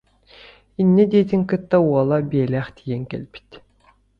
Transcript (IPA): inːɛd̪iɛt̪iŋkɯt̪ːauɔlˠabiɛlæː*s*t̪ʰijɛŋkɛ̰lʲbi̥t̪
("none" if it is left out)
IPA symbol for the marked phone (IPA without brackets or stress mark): χ